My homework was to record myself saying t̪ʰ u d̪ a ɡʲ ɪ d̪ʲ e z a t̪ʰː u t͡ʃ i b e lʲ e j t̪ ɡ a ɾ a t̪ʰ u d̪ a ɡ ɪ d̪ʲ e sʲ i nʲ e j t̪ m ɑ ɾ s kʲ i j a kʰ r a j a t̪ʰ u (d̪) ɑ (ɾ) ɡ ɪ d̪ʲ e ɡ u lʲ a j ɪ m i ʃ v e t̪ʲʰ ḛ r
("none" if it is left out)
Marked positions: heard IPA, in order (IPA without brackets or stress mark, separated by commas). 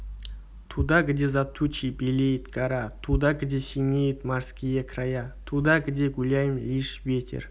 d̪, none